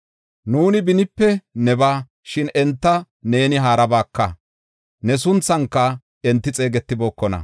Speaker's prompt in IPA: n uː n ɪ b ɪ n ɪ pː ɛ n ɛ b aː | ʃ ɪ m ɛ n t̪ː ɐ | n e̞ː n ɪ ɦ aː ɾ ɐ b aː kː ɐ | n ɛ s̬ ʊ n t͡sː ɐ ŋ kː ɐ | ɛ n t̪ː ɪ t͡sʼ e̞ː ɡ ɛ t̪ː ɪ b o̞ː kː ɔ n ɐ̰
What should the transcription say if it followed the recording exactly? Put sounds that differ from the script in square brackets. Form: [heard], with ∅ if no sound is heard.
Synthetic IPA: n uː n ɪ b ɪ n ɪ pː ɛ n ɛ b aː | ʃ ɪ [n] ɛ n t̪ː ɐ | n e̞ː n ɪ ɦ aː ɾ ɐ b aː kː ɐ | n ɛ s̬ ʊ n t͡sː ɐ ŋ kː ɐ | ɛ n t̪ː ɪ t͡sʼ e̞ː ɡ ɛ t̪ː ɪ b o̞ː kː ɔ n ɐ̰

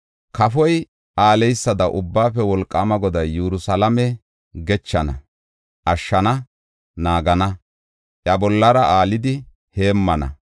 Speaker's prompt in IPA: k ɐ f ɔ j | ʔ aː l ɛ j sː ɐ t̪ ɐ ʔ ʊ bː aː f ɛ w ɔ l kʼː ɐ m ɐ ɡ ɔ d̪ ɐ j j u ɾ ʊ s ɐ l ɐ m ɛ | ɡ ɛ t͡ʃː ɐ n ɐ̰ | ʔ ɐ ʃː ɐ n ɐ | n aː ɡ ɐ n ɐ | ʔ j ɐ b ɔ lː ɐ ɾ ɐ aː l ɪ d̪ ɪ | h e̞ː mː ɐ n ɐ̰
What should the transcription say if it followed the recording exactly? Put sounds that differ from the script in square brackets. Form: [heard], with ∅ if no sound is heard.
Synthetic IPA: k ɐ f ɔ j | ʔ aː l ɛ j sː ɐ [d̪] ɐ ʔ ʊ bː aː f ɛ w ɔ l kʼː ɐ m ɐ ɡ ɔ d̪ ɐ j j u ɾ ʊ s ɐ l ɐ m ɛ | ɡ ɛ t͡ʃː ɐ n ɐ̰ | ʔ ɐ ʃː ɐ n ɐ | n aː ɡ ɐ n ɐ | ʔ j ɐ b ɔ lː ɐ ɾ ɐ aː l ɪ d̪ ɪ | h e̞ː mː ɐ n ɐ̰

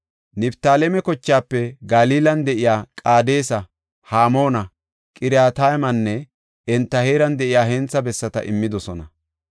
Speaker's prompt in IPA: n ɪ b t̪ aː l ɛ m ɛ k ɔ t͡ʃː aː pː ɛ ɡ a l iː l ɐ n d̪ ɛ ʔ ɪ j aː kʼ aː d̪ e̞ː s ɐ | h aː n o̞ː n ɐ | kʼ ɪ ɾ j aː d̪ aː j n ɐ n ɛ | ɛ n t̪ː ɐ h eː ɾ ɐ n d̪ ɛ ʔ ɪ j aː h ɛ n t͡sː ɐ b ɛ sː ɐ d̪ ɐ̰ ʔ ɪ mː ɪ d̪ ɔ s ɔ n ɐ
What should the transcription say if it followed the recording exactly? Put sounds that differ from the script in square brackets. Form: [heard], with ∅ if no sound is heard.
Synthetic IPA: n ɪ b t̪ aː l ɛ m ɛ k ɔ t͡ʃː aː pː ɛ ɡ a l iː l ɐ n d̪ ɛ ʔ ɪ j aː kʼ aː d̪ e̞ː s ɐ | h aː [m] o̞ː n ɐ | kʼ ɪ ɾ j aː [t̪] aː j [m] ɐ [nː] ɛ | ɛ n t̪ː ɐ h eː ɾ ɐ n d̪ ɛ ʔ ɪ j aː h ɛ n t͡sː ɐ b ɛ sː ɐ [t̪] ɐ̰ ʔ ɪ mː ɪ d̪ ɔ s ɔ n ɐ

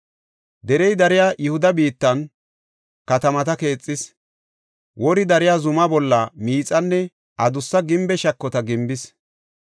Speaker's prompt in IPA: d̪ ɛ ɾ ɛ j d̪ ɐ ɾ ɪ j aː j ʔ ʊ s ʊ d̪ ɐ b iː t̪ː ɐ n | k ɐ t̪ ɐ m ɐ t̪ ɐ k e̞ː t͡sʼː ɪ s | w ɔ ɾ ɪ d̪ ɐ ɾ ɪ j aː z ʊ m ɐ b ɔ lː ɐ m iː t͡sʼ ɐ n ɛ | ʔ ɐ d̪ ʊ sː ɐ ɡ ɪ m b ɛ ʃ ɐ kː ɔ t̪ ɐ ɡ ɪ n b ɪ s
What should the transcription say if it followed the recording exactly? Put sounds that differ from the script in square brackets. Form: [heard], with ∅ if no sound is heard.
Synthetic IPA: d̪ ɛ ɾ ɛ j d̪ ɐ ɾ ɪ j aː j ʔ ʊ [h] ʊ d̪ ɐ b iː t̪ː ɐ n | k ɐ t̪ ɐ m ɐ t̪ ɐ k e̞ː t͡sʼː ɪ s | w ɔ ɾ ɪ d̪ ɐ ɾ ɪ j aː z ʊ m ɐ b ɔ lː ɐ m iː t͡sʼ ɐ [nː] ɛ | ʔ ɐ d̪ ʊ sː ɐ ɡ ɪ m b ɛ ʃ ɐ kː ɔ t̪ ɐ ɡ ɪ [m] b ɪ s

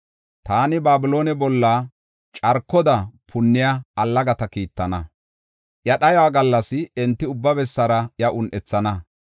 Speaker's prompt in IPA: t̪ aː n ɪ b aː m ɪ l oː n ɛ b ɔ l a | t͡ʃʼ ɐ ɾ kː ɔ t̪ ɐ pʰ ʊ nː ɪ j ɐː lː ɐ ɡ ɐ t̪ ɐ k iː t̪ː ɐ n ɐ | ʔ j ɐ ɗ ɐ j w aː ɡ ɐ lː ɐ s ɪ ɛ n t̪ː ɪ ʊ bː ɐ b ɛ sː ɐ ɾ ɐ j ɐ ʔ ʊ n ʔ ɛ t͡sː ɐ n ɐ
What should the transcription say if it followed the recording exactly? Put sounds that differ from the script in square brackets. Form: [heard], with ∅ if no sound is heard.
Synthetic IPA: t̪ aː n ɪ b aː [b] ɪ l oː n ɛ b ɔ [lː] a | t͡ʃʼ ɐ ɾ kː ɔ [d̪] ɐ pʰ ʊ nː ɪ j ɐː lː ɐ ɡ ɐ t̪ ɐ k iː t̪ː ɐ n ɐ | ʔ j ɐ ɗ ɐ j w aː ɡ ɐ lː ɐ s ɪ ɛ n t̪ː ɪ ʊ bː ɐ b ɛ sː ɐ ɾ ɐ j ɐ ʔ ʊ n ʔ ɛ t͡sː ɐ n ɐ

